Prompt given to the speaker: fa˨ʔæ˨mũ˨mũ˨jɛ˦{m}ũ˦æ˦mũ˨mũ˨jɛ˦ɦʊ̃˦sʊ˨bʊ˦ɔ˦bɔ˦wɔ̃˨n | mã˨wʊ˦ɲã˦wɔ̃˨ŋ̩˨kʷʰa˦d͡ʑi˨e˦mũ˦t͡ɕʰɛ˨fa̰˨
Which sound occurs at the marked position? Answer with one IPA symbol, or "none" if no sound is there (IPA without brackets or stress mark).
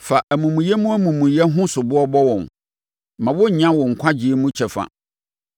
m